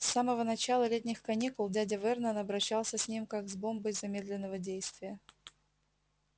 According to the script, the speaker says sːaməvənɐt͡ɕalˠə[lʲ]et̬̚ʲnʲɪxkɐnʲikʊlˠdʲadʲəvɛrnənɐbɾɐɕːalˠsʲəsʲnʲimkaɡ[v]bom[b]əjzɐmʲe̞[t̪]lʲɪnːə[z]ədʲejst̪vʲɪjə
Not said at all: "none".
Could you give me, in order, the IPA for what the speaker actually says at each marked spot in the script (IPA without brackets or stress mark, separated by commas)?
lʲ, z, b, d̪, v